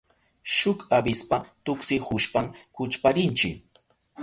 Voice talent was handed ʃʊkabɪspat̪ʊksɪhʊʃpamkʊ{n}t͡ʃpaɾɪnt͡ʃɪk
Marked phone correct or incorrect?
incorrect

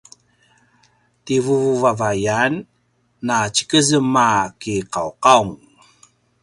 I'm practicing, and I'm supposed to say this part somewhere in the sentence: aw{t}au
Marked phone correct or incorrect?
incorrect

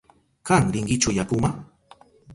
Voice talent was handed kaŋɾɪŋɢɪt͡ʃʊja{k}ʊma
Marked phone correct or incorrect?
correct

